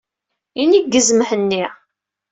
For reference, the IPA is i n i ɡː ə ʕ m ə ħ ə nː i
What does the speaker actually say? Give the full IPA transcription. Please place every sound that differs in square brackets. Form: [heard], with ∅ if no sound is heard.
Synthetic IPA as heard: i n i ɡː ə [z] m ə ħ ə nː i